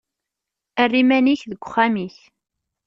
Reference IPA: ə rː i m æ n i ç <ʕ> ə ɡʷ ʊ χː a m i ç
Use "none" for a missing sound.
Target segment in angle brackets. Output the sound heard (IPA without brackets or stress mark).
ð